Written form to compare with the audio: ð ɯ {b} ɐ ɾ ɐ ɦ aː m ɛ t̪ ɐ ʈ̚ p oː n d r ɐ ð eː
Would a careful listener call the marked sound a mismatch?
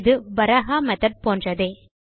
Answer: no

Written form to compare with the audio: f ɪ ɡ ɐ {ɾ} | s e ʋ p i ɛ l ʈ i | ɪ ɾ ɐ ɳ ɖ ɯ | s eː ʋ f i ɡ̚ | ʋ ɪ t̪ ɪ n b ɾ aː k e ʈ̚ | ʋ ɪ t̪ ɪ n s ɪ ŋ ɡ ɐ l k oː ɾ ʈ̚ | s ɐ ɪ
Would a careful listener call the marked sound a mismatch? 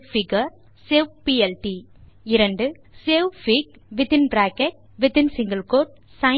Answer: no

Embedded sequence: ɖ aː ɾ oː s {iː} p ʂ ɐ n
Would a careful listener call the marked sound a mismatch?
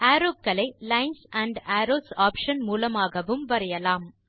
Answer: yes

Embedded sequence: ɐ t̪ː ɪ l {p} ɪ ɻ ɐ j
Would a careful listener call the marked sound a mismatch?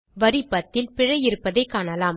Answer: no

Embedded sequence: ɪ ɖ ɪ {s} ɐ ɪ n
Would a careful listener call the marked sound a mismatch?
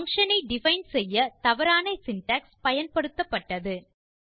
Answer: yes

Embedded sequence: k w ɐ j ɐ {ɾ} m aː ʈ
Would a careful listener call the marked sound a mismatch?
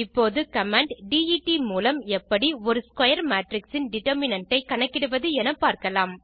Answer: no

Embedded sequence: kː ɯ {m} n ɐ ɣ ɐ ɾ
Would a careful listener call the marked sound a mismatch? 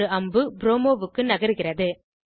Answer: yes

